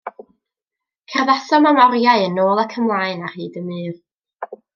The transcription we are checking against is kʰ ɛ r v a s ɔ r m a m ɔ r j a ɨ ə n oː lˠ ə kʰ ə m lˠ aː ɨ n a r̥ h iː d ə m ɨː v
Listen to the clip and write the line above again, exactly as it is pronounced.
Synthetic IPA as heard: kʰ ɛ r ð a s ɔ m a m ɔ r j a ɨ ə n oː lˠ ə kʰ ə m lˠ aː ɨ n a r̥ h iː d ə m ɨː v